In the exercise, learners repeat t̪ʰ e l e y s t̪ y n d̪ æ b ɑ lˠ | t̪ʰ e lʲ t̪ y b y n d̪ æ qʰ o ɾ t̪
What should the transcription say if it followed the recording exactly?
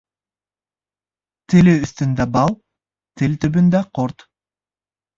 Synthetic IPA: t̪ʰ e l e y s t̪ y n d̪ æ b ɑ lˠ | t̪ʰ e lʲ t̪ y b y n d̪ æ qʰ o ɾ t̪

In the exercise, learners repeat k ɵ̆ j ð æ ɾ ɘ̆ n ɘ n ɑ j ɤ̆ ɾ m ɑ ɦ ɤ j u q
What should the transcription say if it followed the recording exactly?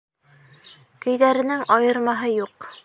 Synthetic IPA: k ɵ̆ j ð æ ɾ ɘ̆ n ɘ ŋ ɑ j ɤ̆ ɾ m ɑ ɦ ɤ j u q

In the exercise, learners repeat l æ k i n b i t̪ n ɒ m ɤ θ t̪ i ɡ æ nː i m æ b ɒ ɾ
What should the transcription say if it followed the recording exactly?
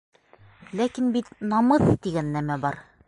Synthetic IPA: l æ k i n b i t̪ n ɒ m ɤ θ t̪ i ɡ æ nː æ m æ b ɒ ɾ

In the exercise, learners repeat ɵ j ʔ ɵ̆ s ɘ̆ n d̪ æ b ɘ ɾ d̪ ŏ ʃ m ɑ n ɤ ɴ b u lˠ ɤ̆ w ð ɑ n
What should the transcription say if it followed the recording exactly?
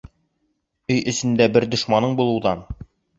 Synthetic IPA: ɵ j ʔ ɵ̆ s ɘ̆ n d̪ æ b ɘ ɾ d̪ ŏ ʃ m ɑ n ɤ ɴ b u lˠ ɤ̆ w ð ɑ n

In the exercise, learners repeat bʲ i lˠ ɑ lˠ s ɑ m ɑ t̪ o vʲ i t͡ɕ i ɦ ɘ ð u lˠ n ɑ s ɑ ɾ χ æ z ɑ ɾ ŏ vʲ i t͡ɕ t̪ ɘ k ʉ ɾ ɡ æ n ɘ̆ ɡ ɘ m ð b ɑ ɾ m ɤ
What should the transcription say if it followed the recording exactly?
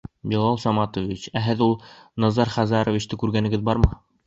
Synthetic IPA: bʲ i lˠ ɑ lˠ s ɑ m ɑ t̪ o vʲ i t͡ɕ æ ɦ ɘ ð u lˠ n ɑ z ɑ ɾ χ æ z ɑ ɾ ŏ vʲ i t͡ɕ t̪ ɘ k ʉ ɾ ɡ æ n ɘ̆ ɡ ɘ ð b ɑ ɾ m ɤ

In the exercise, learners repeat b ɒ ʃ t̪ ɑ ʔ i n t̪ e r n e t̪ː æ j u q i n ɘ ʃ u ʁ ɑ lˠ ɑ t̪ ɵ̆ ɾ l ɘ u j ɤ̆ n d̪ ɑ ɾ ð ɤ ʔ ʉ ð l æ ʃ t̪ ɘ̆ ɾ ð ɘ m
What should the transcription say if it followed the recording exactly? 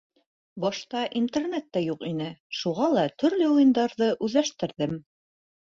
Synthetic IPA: b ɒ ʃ t̪ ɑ ʔ i n t̪ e r n e t̪ː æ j u q i n ɘ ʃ u ʁ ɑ lˠ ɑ t̪ ɵ̆ ɾ l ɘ u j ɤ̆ n d̪ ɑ ɾ ð ɤ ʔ ʉ ð l æ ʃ t̪ ɘ̆ ɾ ð ɘ m

